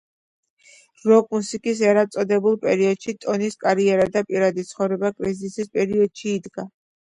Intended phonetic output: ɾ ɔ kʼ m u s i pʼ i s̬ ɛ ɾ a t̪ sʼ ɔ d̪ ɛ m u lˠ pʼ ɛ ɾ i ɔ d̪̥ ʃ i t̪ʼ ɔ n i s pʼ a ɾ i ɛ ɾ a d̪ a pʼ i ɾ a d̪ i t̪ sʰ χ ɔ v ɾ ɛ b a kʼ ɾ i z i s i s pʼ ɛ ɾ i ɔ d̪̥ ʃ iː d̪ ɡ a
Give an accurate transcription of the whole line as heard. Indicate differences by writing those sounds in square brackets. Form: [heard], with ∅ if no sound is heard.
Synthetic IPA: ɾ ɔ kʼ m u s i [kʼ] i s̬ ɛ ɾ a t̪ sʼ ɔ d̪ ɛ [b] u lˠ pʼ ɛ ɾ i ɔ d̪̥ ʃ i t̪ʼ ɔ n i s [kʼ] a ɾ i ɛ ɾ a d̪ a pʼ i ɾ a d̪ i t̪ sʰ χ ɔ v ɾ ɛ b a kʼ ɾ i z i s i s pʼ ɛ ɾ i ɔ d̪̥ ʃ iː d̪ ɡ a